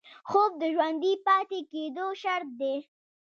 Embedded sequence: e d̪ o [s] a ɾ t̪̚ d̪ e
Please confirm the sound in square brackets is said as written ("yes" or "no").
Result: no